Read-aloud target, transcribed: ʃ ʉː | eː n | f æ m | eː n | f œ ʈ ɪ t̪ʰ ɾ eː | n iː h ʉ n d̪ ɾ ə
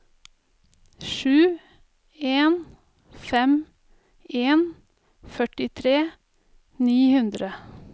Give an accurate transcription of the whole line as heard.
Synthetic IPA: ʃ ʉː | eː n | f ɛ m | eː n | f œ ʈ ɪ t̪ʰ ɾ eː | n iː h ʉ n d̪ ɾ ə